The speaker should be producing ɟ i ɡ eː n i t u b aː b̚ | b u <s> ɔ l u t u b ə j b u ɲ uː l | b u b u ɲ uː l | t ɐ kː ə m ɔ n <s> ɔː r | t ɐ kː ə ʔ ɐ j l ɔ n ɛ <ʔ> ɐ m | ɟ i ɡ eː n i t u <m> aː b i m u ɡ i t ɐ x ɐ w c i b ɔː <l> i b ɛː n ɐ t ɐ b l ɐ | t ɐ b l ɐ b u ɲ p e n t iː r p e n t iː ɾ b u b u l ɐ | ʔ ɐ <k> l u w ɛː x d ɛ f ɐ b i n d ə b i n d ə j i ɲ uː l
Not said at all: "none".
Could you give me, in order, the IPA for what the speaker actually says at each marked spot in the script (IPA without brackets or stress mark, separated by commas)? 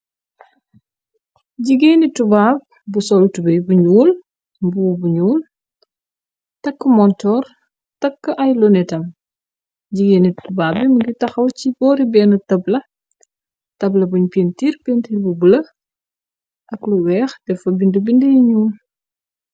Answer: s, t, t, b, ɾ, k